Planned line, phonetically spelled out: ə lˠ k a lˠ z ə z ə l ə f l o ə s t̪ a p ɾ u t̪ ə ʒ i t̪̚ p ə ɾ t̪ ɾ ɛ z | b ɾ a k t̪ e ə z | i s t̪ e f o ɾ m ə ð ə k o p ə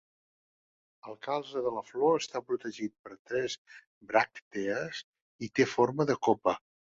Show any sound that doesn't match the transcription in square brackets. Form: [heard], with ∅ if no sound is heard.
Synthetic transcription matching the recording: ə lˠ k a lˠ z ə [ð] ə l ə f l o ə s t̪ a p ɾ u t̪ ə ʒ i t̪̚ p ə ɾ t̪ ɾ ɛ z | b ɾ a k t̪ e ə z | i [∅] t̪ e f o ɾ m ə ð ə k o p ə

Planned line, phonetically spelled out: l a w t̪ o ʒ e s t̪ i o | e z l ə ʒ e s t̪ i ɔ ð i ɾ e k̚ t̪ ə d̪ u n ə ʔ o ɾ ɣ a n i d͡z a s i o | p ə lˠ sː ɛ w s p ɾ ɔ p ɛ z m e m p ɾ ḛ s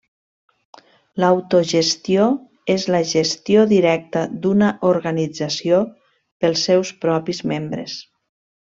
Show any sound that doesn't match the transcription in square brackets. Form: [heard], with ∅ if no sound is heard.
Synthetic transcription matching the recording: l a w t̪ o ʒ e s t̪ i o | e z l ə ʒ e s t̪ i [o] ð i ɾ [ɛ] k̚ t̪ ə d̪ u n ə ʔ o ɾ ɣ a n i d͡z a s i o | p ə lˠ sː ɛ w s p ɾ ɔ p [i] z m e m [b] ɾ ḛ s

